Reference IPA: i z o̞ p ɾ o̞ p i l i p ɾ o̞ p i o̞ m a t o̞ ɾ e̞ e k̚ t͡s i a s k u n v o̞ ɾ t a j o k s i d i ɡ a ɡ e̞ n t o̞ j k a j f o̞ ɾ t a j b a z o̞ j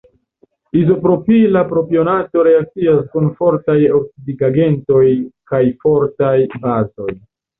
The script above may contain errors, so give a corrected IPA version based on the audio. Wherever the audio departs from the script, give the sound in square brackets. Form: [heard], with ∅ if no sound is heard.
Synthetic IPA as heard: i z o̞ p ɾ o̞ p i l [a] p ɾ o̞ p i o̞ [n] a t o̞ ɾ e̞ [a] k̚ t͡s i a s k u n [f] o̞ ɾ t a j o k s i d i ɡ a ɡ e̞ n t o̞ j k a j f o̞ ɾ t a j b a z o̞ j